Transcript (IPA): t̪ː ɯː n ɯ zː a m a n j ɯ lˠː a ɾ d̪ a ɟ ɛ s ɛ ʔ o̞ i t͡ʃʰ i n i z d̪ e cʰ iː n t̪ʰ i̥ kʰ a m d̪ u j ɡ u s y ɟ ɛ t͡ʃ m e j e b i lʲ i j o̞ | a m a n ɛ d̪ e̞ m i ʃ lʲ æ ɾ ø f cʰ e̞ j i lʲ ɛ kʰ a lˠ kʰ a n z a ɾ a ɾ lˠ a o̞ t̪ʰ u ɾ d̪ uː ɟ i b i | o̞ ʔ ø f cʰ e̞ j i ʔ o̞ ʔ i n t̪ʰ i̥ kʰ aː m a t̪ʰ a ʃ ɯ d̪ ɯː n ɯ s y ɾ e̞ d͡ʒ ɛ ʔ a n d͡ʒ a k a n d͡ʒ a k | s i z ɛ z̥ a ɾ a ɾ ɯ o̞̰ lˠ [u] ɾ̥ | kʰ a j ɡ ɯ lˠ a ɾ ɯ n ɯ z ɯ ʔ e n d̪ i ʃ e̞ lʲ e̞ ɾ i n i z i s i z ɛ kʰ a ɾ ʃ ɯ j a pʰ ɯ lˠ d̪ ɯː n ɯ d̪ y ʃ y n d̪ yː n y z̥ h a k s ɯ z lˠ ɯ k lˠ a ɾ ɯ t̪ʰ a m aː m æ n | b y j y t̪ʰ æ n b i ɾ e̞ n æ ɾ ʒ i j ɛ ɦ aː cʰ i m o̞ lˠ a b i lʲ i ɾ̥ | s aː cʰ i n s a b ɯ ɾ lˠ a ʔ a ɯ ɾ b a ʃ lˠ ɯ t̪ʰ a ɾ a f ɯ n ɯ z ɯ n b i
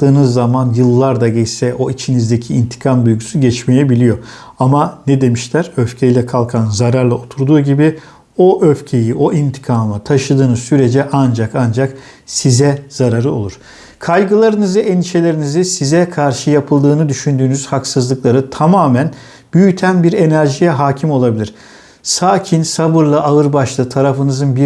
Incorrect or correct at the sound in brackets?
correct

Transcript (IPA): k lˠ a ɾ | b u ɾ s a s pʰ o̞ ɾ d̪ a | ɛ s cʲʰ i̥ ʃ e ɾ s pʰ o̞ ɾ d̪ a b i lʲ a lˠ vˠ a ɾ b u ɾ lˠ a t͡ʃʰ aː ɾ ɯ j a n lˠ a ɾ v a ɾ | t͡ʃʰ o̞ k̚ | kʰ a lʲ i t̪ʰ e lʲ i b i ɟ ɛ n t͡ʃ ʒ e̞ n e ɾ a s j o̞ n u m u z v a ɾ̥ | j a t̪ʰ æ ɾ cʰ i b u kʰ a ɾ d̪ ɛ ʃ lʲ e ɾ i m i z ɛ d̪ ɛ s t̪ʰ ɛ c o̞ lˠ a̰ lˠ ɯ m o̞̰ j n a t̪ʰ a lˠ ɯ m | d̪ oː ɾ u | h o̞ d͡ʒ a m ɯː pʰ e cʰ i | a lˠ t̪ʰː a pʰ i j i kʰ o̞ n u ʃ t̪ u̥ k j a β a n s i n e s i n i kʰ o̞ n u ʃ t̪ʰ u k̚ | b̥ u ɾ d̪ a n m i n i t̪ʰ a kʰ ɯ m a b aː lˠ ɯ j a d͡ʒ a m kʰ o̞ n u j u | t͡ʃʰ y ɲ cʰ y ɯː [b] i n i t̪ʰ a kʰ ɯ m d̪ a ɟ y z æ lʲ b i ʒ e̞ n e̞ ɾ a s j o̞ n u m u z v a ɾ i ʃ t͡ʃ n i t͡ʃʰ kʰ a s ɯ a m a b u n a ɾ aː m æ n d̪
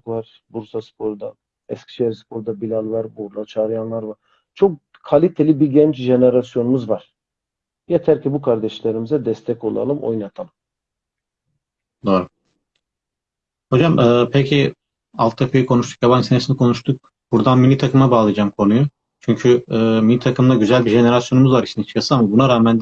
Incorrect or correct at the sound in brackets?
incorrect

